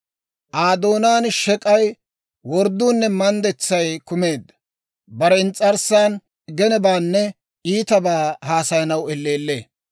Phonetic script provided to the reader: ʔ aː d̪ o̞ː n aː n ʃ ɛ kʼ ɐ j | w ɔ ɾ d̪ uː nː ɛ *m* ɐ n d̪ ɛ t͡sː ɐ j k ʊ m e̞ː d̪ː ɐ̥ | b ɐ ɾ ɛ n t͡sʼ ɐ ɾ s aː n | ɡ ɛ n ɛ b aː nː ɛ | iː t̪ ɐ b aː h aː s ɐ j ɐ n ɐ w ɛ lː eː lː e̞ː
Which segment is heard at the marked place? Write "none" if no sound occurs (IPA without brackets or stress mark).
m